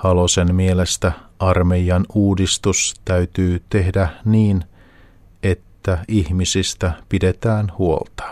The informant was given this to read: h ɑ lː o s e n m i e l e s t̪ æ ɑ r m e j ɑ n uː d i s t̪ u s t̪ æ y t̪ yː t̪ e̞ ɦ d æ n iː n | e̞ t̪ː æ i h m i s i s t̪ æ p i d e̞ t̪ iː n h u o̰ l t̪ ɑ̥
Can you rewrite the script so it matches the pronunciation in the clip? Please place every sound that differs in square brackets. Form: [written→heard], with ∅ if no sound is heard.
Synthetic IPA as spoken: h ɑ [lː→l] o s e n m i e l e s t̪ æ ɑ r m e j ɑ n uː d i s t̪ u s t̪ æ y t̪ yː t̪ e̞ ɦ d æ n iː n | e̞ t̪ː æ i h m i s i s t̪ æ p i d e̞ t̪ [iː→æː] n h u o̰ l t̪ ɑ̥